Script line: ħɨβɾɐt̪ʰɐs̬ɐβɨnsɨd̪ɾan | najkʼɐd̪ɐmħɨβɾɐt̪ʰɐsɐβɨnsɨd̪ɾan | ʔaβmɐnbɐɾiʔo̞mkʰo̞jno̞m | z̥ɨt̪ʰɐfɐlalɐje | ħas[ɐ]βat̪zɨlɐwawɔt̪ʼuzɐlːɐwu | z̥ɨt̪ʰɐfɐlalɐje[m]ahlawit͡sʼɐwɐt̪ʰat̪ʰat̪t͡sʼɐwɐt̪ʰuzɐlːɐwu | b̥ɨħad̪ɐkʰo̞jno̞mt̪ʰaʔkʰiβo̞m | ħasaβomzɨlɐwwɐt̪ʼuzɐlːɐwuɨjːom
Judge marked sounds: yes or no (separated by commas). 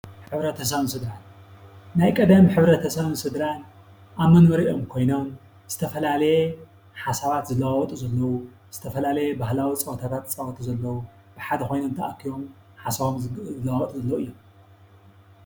no, no